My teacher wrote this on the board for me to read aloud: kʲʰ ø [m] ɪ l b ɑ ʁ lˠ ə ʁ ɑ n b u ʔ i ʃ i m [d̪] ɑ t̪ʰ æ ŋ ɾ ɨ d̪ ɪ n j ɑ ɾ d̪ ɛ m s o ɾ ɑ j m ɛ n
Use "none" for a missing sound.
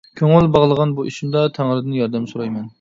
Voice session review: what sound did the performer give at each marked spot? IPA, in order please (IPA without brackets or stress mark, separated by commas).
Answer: ŋ, d̪